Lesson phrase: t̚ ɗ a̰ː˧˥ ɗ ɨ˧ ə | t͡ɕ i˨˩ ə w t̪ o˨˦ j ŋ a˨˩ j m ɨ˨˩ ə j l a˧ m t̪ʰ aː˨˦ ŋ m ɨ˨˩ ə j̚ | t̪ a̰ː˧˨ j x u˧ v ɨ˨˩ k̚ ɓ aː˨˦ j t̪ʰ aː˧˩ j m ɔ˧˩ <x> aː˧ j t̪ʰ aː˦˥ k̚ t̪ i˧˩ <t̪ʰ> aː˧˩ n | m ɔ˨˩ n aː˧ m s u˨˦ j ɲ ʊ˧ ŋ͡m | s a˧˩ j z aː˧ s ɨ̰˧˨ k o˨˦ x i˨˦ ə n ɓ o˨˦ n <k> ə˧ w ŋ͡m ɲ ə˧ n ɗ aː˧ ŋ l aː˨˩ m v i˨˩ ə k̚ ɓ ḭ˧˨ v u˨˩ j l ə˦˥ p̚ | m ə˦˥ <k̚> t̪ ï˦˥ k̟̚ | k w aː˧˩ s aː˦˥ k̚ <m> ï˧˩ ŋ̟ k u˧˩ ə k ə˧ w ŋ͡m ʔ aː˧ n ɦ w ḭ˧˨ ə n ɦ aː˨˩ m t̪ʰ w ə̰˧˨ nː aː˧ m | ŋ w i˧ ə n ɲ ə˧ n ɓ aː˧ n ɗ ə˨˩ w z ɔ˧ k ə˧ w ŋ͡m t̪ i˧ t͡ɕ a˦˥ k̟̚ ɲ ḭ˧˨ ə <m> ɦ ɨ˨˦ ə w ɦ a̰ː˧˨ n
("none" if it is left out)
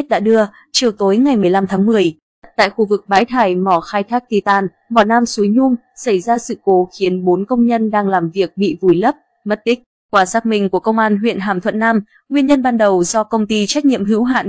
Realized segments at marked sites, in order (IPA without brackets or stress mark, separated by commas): x, t̪, k, t̚, m, m